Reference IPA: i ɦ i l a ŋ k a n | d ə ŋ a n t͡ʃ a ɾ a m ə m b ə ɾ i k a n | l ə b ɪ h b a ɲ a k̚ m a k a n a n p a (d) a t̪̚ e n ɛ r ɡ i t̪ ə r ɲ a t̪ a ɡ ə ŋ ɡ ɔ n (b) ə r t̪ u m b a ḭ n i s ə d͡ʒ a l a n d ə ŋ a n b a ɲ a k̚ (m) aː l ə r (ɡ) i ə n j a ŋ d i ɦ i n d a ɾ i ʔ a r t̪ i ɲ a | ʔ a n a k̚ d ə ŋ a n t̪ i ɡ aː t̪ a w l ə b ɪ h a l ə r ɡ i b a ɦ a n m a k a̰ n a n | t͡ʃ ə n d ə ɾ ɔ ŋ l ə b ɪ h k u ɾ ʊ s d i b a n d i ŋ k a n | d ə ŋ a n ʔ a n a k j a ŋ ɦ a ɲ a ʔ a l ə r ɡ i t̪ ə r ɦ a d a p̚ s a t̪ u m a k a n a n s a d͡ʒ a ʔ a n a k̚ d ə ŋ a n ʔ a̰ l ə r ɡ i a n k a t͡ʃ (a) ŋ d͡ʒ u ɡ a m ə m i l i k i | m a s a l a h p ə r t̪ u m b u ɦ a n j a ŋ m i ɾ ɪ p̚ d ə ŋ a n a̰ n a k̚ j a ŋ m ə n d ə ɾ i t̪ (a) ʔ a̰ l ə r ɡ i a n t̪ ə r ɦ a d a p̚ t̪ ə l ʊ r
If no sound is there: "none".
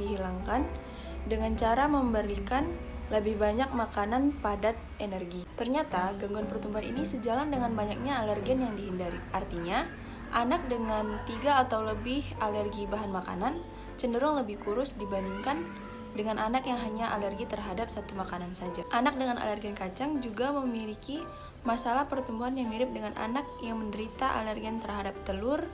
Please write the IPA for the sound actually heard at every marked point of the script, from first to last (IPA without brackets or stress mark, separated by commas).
d, p, ɲ, ɡ, a, a